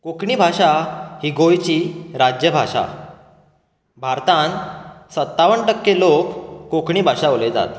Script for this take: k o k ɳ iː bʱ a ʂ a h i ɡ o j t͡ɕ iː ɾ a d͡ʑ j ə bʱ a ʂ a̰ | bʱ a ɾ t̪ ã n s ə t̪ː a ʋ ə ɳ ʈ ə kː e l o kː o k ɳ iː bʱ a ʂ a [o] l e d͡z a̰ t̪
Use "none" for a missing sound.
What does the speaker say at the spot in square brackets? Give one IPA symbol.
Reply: o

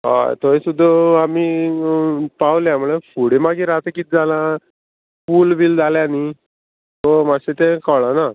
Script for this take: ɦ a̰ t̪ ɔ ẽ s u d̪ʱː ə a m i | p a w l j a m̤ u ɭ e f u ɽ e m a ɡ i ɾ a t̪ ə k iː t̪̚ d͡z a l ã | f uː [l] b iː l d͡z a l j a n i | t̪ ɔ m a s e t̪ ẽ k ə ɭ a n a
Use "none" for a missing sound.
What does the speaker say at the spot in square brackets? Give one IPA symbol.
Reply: l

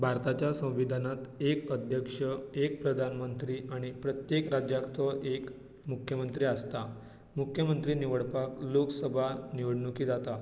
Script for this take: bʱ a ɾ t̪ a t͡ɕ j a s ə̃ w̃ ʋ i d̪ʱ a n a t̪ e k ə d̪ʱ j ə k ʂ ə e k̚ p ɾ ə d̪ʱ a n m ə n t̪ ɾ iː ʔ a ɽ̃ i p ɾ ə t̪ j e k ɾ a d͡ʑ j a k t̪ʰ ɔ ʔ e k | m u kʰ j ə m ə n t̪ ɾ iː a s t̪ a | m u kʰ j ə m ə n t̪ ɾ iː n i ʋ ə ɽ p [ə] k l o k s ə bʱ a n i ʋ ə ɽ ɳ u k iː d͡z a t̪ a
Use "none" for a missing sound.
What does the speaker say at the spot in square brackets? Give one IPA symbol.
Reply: a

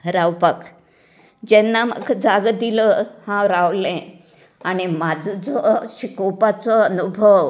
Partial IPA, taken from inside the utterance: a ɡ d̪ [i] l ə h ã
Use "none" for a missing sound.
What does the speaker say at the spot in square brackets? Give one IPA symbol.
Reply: i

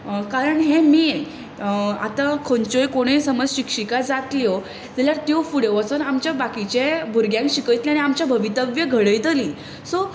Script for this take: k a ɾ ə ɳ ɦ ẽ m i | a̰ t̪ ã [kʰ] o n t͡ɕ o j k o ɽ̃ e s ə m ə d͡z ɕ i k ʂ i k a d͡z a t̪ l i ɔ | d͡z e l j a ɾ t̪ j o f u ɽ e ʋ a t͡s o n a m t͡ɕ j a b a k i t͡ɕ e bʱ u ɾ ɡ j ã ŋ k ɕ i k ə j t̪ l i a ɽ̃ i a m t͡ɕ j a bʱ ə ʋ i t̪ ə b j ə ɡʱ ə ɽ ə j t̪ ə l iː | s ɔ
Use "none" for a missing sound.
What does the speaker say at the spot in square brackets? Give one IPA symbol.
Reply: kʰ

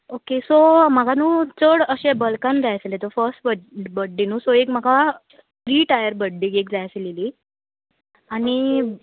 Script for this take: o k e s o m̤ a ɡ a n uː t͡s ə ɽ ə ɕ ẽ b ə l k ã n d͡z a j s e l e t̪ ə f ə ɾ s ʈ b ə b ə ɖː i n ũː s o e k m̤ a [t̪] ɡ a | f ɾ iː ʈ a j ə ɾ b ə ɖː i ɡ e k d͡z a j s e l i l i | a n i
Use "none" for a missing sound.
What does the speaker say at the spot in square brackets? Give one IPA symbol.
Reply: none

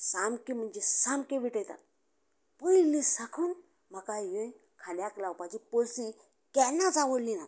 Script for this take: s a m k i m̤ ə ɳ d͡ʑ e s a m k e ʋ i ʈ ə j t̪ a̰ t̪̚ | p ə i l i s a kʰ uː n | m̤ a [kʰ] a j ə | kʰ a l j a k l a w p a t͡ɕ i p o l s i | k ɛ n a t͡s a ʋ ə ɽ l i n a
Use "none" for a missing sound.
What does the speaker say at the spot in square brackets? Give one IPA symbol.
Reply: k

